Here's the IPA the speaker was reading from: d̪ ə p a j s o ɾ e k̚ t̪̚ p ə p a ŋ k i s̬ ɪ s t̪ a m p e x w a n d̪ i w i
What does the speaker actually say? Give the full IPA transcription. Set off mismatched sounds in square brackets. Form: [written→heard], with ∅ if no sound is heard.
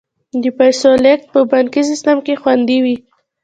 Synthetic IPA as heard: d̪ ə p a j s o [ɾ→l] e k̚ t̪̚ p ə [p→b] a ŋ k i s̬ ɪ s t̪ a m [p→k] e x w a n d̪ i w i